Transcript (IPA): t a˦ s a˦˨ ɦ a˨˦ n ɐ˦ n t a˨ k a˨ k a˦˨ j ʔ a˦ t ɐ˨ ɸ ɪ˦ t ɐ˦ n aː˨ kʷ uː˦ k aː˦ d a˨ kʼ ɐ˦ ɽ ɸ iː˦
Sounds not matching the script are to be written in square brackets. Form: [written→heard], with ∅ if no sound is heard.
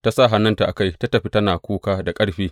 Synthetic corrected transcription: t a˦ s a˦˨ ɦ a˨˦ n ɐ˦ n t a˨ [k→ʔ] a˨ k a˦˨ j [ʔ→t] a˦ t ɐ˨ ɸ [ɪ˦→i˦] t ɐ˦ n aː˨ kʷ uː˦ k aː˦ d a˨ kʼ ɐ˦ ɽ ɸ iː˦